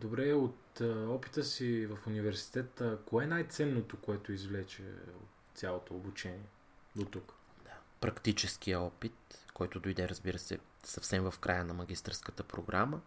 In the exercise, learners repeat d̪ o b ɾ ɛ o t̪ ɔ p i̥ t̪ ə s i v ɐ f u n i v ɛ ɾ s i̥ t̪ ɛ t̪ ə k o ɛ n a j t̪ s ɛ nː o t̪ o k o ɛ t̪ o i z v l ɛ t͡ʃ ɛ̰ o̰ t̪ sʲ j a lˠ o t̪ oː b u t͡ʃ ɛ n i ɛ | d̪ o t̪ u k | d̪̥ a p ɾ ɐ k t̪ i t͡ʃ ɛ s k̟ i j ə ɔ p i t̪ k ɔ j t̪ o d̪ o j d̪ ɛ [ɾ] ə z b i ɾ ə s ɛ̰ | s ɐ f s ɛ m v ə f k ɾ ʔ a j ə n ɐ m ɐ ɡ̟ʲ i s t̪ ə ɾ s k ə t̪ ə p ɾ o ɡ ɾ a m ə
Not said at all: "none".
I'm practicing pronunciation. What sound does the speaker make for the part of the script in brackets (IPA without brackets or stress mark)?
ɾ